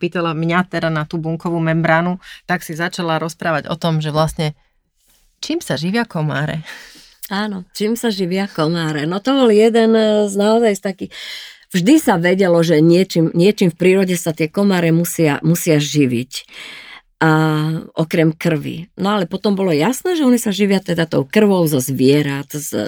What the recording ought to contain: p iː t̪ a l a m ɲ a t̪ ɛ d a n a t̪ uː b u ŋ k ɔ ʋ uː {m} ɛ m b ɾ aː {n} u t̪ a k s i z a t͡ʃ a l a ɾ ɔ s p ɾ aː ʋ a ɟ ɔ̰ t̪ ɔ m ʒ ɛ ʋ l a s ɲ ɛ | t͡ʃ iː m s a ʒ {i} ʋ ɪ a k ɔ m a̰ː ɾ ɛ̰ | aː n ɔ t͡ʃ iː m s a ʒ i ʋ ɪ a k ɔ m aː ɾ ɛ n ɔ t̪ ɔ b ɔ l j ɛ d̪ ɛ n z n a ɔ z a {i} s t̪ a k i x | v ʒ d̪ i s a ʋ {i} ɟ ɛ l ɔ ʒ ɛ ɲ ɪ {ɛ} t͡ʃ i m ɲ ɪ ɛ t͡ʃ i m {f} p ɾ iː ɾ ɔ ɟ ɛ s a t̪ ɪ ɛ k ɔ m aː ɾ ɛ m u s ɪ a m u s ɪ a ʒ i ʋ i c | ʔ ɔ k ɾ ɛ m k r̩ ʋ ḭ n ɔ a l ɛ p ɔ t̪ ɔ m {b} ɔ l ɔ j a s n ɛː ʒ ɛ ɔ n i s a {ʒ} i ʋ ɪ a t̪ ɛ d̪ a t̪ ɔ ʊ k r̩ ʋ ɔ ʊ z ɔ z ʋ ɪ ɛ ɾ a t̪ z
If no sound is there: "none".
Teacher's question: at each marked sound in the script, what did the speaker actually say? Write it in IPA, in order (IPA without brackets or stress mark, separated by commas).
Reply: m, n, i, j, ɛ, ɛ, f, b, ʒ